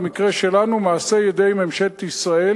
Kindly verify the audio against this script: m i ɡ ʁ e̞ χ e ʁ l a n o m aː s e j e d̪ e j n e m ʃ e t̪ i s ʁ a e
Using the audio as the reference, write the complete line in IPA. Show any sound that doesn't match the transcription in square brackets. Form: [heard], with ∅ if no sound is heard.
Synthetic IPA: m i [k] ʁ e̞ [ʃ] e [∅] l a n [u] m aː s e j e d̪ e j [m] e m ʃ e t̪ i s ʁ a e